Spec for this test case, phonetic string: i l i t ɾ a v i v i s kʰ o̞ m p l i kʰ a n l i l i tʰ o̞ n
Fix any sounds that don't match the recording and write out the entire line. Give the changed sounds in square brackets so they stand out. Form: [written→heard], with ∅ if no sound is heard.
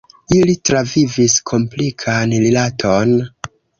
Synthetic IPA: i l i t ɾ a v i v i s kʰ o̞ m p l i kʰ a n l i l [i→a] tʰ o̞ n